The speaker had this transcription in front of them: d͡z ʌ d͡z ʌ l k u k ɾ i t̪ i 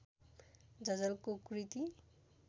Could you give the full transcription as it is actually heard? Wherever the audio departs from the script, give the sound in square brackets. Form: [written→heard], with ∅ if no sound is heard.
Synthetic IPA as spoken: d͡z ʌ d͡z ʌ l k [u→o] k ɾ i t̪ i